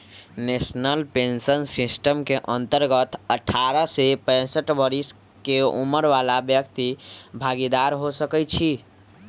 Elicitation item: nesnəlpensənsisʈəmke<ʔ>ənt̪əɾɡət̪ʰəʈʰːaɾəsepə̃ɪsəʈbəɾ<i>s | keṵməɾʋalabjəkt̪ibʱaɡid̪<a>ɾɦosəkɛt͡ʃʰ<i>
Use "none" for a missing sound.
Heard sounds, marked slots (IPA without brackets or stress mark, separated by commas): ʔ, i, a, i